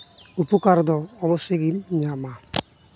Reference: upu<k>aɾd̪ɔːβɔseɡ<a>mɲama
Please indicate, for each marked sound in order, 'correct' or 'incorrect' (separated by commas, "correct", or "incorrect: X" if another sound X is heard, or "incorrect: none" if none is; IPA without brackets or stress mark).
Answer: correct, incorrect: i